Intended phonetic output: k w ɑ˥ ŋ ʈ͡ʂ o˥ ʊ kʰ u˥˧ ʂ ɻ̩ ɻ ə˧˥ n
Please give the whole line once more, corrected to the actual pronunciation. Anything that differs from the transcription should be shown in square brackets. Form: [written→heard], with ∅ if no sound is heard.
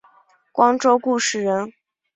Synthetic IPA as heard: k w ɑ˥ ŋ ʈ͡ʂ o˥ ʊ [kʰ→k] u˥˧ ʂ ɻ̩ ɻ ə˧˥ n